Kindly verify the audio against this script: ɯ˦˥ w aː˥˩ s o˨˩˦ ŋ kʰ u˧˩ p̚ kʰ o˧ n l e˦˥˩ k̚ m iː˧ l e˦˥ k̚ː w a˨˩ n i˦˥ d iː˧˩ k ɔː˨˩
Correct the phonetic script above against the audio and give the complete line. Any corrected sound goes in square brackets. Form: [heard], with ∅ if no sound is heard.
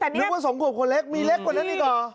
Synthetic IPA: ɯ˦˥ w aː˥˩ s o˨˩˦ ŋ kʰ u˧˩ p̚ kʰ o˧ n l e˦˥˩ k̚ m iː˧ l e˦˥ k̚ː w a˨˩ n [a˦˥] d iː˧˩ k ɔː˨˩